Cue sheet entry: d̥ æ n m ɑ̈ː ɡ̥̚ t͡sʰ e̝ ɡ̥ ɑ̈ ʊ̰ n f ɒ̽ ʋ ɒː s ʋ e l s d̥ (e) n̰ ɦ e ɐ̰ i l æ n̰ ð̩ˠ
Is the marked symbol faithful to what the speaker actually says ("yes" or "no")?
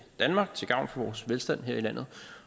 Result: no